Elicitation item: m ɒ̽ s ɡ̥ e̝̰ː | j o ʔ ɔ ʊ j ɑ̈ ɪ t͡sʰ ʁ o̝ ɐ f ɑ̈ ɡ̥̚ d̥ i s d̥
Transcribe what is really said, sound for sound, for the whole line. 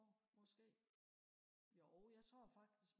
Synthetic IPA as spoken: m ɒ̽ s ɡ̥ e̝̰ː | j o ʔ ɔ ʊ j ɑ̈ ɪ t͡sʰ ʁ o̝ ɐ f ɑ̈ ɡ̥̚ d̥ i s ɡ̥